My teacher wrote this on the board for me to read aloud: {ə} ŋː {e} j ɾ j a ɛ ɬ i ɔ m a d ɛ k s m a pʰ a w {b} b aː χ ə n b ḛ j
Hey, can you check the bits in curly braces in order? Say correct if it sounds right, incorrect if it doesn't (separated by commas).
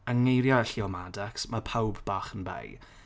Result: correct, correct, correct